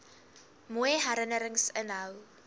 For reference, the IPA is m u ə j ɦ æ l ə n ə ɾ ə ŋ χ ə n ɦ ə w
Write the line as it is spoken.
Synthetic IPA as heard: m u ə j ɦ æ ɾ ə n ə ɾ ə ŋ s ə n ɦ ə w

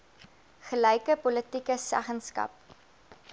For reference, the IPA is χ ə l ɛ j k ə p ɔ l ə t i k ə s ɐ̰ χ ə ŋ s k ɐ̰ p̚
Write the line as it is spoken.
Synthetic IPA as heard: χ ə l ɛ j k ə p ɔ l ə t i k ə s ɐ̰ χ ə n s k ɐ̰ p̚

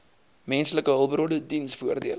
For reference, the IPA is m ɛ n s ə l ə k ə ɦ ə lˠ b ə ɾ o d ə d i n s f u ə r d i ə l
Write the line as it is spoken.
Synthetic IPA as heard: m ɛ n s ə l ə k ə ɦ ə lˠ b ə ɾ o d ə d i n s f u ə r d i ə l

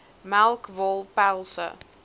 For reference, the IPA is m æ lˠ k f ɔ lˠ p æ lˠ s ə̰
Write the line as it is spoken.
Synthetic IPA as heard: m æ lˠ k v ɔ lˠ p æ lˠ s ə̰

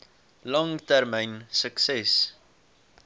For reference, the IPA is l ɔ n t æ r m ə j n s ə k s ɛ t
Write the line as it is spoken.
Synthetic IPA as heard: l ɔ ŋ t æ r m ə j n s ə k s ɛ s

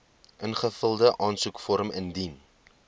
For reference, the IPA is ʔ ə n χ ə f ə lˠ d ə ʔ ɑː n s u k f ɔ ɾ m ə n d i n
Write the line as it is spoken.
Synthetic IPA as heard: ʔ ə n χ ə f ə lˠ d ə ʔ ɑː n s u k f ɔ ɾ m ə n d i n

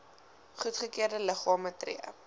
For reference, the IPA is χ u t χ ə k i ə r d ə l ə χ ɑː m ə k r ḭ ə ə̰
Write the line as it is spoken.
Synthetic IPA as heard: χ u t χ ə k i ə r d ə l ə χ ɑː m ə t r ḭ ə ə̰

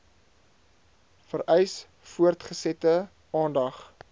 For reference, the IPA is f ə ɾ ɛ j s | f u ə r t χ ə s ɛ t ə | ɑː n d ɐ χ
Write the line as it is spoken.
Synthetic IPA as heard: f ə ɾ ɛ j s | f u ə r t χ ə s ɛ t ə | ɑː n d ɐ χ

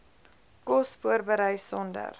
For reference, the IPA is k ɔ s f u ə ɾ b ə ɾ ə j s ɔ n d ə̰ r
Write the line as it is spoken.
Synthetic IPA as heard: k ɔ s f u ə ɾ b ə ɾ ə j s ɔ n d ə̰ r

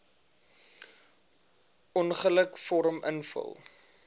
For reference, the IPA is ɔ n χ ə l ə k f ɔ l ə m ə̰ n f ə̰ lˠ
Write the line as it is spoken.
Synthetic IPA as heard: ɔ n χ ə l ə k f ɔ ɾ ə m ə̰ n f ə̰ lˠ

